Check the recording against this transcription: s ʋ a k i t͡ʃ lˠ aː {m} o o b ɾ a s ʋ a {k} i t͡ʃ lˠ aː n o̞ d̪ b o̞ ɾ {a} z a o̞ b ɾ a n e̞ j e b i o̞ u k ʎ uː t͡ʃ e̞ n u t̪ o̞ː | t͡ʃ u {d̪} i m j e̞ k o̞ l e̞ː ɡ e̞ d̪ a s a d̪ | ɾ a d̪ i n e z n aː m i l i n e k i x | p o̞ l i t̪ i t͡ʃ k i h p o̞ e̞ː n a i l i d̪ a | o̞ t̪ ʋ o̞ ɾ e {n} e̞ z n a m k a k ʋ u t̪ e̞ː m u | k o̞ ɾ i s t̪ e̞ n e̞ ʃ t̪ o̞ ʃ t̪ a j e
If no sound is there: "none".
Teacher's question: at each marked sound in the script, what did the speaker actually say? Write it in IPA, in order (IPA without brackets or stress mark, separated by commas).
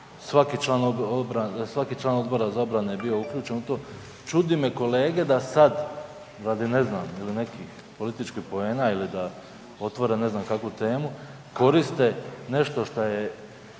n, k, a, d̪, n